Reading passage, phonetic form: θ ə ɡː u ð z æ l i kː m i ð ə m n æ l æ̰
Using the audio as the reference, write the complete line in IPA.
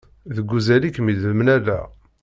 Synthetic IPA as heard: ð ə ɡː u z æ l i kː m i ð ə m n æ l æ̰